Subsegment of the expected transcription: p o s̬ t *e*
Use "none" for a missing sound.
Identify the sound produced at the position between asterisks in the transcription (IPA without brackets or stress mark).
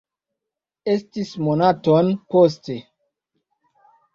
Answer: e